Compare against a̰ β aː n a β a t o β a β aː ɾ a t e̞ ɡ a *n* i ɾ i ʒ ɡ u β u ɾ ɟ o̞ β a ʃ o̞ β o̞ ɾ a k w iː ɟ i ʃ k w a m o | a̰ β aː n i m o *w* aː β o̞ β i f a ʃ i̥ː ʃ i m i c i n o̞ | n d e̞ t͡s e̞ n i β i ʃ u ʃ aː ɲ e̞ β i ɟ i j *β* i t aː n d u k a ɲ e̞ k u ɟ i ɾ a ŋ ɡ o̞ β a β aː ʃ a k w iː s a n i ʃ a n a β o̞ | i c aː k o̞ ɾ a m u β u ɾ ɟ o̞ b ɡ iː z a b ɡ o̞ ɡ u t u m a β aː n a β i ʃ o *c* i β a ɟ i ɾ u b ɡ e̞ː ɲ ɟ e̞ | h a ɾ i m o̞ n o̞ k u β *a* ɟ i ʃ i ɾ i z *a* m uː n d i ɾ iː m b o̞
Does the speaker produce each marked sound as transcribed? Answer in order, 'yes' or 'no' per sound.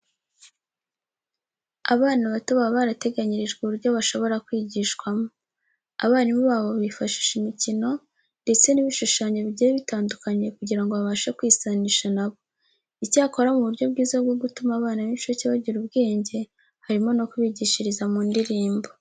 no, no, yes, yes, no, yes

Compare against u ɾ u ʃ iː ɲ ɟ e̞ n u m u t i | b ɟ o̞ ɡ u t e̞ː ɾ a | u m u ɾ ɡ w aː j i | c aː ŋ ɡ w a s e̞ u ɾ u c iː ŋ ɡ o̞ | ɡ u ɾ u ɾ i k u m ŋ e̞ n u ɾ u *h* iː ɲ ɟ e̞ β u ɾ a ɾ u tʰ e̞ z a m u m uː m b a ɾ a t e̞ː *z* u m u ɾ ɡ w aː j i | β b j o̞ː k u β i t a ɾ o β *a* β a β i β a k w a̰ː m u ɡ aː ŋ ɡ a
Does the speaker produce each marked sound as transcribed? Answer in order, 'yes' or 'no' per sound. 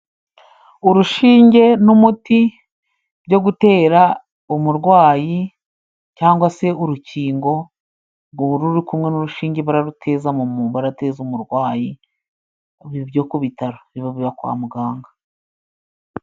no, yes, no

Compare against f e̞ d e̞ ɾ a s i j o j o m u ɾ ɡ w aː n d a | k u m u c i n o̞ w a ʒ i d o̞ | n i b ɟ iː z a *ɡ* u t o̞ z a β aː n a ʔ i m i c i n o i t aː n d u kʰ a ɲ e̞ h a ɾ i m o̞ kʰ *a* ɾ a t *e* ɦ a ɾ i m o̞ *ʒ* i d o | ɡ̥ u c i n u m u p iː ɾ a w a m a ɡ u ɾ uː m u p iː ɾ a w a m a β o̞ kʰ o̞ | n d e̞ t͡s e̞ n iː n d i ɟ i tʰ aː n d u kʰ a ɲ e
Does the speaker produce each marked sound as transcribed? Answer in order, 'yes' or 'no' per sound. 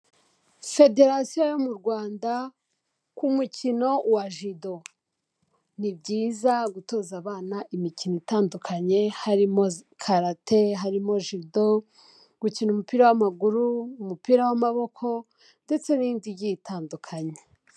yes, yes, yes, yes

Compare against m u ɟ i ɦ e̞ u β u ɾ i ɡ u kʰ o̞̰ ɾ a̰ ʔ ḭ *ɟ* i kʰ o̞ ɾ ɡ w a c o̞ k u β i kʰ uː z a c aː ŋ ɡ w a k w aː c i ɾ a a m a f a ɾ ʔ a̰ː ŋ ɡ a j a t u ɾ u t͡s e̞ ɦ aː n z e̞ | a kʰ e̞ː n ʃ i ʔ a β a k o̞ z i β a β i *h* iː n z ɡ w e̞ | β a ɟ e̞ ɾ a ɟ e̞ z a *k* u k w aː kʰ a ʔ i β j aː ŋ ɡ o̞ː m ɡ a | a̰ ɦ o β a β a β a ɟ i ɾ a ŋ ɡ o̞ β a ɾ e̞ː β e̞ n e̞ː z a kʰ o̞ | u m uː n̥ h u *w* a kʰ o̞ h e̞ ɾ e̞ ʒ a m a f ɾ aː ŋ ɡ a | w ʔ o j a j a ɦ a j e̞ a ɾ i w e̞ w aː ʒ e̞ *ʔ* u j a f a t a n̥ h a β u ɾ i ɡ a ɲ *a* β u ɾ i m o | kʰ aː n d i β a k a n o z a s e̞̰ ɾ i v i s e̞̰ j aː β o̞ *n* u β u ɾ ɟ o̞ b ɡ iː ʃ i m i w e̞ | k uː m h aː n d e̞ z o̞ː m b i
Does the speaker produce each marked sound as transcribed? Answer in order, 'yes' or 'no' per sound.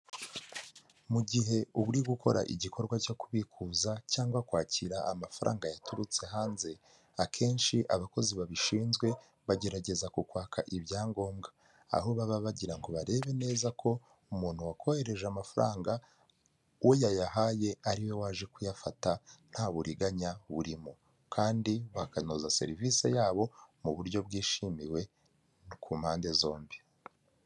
yes, no, yes, yes, no, yes, no

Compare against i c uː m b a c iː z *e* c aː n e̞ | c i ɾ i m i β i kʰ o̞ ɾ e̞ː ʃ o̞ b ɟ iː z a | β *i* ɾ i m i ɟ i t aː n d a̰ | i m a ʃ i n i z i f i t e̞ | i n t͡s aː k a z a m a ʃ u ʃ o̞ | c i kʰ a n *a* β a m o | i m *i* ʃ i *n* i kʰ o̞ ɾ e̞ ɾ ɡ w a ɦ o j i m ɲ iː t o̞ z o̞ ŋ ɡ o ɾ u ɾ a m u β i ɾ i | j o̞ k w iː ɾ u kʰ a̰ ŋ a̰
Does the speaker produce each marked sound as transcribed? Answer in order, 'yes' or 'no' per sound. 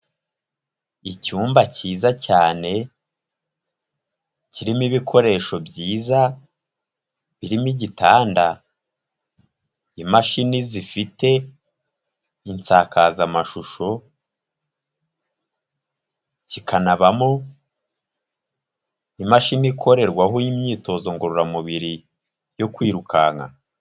no, yes, yes, no, yes

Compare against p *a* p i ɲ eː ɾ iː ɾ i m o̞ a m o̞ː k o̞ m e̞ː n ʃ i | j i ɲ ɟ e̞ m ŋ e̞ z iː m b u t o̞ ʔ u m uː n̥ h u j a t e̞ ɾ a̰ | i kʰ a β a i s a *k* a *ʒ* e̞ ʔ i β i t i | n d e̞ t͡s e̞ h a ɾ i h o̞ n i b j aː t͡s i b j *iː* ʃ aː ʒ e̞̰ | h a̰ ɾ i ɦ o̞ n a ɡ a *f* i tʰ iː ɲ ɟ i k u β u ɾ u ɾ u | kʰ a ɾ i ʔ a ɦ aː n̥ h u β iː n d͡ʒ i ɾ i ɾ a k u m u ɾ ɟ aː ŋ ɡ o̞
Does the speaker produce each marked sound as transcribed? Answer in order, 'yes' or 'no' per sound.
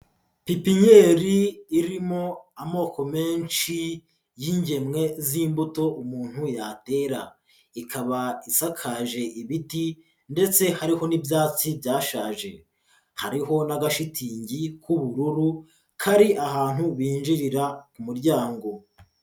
no, no, yes, no, no

